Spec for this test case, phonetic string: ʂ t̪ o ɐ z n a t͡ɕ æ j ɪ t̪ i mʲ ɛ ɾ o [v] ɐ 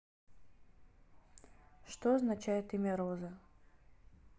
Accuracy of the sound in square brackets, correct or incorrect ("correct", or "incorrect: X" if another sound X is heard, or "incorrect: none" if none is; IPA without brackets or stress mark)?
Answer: incorrect: z